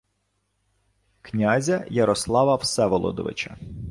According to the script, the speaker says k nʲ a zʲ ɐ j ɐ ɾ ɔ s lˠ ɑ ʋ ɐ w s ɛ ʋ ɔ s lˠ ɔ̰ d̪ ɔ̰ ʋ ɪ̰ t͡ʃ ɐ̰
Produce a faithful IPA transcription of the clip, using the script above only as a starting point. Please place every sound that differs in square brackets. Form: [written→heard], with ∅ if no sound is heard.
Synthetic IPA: k nʲ a zʲ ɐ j ɐ ɾ ɔ s lˠ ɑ ʋ ɐ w s ɛ ʋ ɔ [s→∅] lˠ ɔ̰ d̪ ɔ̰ ʋ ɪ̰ t͡ʃ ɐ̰